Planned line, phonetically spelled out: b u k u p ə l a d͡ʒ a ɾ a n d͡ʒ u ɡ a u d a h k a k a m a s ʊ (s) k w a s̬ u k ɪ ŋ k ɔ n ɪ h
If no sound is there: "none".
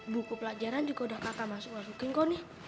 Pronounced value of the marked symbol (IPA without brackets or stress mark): none